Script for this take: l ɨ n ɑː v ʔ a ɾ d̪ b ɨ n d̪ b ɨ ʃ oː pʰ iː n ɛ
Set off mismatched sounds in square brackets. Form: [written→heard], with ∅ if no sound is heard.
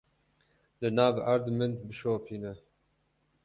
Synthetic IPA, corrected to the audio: l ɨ n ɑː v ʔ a ɾ d̪ [b→m] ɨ n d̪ b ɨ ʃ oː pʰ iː n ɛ